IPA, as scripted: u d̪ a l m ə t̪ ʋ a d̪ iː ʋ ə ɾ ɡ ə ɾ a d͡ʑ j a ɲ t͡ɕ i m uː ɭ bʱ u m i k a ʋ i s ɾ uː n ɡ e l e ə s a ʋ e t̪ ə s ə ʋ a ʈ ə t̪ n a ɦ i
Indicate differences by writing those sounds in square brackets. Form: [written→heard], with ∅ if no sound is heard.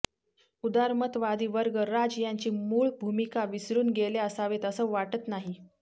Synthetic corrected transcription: u d̪ a [l→ɾ] m ə t̪ ʋ a d̪ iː ʋ ə ɾ ɡ ə ɾ a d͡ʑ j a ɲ t͡ɕ [i→iː] m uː ɭ bʱ u m i k a ʋ i s ɾ uː n ɡ e l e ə s a ʋ e t̪ ə s ə ʋ a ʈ ə t̪ n a ɦ i